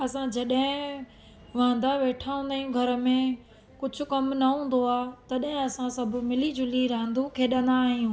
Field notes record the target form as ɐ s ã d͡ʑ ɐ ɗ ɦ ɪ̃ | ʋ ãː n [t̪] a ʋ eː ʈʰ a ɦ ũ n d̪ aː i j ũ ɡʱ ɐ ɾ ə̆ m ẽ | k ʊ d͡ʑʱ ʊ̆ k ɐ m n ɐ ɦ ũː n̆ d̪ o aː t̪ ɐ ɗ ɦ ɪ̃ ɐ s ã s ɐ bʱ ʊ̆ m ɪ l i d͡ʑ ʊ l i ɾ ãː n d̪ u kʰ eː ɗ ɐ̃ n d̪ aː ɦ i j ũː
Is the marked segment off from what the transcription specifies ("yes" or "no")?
yes